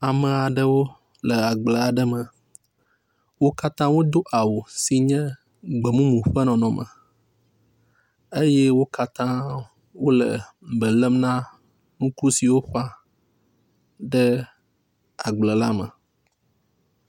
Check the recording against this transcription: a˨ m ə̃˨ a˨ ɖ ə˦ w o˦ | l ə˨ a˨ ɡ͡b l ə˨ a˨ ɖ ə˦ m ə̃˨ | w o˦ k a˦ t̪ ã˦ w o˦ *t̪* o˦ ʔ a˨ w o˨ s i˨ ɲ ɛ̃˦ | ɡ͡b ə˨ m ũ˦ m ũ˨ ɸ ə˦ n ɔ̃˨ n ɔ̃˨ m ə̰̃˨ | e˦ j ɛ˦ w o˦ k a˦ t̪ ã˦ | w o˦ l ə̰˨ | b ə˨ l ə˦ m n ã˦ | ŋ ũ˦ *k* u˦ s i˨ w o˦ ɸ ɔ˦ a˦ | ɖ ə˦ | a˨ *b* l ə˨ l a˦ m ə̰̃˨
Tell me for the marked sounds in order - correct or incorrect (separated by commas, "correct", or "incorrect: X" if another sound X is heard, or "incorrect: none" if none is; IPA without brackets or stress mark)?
incorrect: d̪, correct, incorrect: ɡ͡b